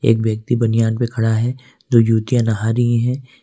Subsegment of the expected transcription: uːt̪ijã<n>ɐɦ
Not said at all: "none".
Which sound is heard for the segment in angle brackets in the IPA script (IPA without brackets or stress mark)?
n